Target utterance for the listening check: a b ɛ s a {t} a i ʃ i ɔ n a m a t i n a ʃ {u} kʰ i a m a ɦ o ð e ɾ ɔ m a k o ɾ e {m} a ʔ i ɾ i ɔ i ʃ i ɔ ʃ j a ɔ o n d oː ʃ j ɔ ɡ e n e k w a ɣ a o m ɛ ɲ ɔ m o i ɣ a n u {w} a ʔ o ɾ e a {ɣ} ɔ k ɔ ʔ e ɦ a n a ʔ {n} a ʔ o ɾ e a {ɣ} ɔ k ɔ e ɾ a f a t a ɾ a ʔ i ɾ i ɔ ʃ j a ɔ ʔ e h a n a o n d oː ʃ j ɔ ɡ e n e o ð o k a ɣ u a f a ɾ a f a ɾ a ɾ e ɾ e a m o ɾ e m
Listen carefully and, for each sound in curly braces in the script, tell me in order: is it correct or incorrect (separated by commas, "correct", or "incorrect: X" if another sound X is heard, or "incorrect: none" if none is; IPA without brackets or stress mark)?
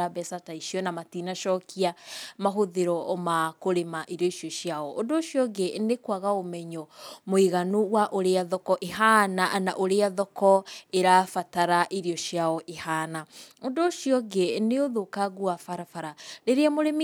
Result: correct, incorrect: ɔ, correct, correct, incorrect: ð, correct, incorrect: ð